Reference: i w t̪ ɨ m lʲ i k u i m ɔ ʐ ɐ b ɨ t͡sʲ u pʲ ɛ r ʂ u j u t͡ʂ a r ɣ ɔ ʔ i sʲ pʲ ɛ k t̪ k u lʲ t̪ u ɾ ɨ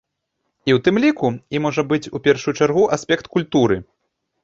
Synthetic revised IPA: i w t̪ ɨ m lʲ i k u i m ɔ ʐ ɐ b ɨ t͡sʲ u pʲ ɛ r ʂ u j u t͡ʂ a r ɣ u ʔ a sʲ pʲ ɛ k t̪ k u lʲ t̪ u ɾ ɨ